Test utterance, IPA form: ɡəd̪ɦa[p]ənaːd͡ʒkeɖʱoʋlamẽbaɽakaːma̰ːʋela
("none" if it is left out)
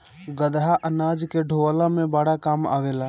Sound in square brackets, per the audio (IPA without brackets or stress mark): ʔ